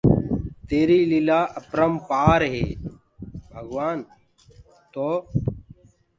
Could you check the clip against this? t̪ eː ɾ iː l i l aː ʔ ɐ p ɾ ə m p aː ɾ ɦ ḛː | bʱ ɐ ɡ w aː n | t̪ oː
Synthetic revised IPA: t̪ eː ɾ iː l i l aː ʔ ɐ p ɾ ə m p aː ɾ ɦ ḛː | bʱ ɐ ɡ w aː n | t̪ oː